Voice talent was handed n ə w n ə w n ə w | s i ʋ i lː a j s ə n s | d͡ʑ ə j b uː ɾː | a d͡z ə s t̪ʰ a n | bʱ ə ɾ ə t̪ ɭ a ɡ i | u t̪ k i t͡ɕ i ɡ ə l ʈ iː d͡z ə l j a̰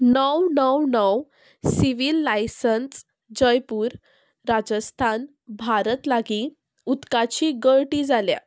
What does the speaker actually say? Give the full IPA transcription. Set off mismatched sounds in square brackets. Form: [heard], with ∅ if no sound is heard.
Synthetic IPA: n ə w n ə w n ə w | s i ʋ i lː a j s ə n s | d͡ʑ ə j [p] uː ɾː | a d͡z ə s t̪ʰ a n | bʱ [a] ɾ ə t̪ [l] a ɡ i | u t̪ k [a] t͡ɕ i ɡ ə [ɭ] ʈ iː d͡z [a] l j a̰